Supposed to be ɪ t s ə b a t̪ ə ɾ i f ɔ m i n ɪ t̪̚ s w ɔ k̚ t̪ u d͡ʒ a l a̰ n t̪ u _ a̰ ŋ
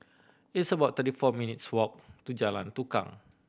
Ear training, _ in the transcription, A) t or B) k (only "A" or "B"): B